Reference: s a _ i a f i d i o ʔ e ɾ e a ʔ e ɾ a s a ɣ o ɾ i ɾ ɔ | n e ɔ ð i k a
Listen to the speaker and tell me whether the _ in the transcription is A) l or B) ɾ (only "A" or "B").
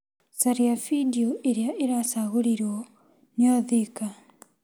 B